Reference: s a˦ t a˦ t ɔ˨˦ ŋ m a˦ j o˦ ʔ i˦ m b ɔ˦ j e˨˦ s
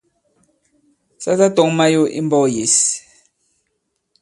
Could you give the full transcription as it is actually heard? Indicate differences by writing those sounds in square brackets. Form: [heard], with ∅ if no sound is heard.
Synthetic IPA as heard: s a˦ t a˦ t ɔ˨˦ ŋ m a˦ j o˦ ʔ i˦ m b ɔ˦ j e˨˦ s